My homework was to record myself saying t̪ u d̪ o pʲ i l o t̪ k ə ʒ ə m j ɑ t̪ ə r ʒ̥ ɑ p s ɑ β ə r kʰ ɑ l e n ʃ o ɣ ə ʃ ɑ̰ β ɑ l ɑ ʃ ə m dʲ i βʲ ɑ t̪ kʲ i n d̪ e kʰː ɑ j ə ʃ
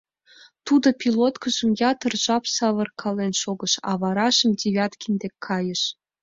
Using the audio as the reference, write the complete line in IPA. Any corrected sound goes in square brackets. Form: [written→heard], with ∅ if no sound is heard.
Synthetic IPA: t̪ u d̪ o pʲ i l o t̪ k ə ʒ ə m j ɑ t̪ ə r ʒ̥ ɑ p s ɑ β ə r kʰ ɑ l e n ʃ o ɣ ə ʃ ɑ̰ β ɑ [l→ɾ] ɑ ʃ ə m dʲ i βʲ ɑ t̪ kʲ i n d̪ e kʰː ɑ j ə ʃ